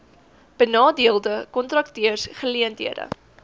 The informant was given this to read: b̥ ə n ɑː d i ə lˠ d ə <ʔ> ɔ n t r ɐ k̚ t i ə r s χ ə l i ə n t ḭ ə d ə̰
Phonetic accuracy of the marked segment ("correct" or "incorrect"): incorrect